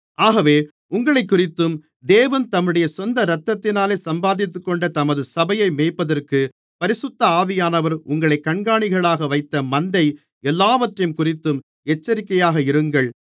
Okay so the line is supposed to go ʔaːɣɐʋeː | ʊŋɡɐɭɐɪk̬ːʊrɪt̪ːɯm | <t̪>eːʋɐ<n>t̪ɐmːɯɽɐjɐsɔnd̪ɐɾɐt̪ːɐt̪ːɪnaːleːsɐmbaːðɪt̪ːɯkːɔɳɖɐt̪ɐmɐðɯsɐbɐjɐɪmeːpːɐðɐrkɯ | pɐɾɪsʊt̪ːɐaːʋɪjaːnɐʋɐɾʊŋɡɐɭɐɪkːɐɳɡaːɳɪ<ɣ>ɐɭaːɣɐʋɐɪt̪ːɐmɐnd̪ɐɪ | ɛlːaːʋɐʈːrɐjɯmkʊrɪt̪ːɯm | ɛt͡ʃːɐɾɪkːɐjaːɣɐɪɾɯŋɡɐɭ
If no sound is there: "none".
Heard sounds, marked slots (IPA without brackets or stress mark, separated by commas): d̪, n, ɣ